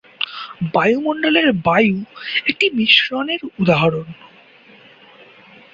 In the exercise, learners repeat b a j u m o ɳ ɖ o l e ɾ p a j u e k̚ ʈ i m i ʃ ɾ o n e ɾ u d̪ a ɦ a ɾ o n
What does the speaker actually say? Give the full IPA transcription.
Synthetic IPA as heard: b a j u m o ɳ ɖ o l e ɾ b a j u e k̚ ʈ i m i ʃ ɾ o n e ɾ u d̪ a ɦ a ɾ o n